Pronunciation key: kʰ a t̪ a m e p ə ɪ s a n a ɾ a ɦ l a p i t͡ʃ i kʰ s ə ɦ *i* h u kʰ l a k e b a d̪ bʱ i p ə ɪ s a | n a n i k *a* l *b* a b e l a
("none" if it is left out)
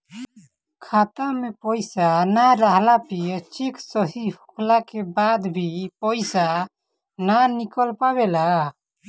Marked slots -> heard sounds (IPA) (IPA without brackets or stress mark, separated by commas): i, ə, p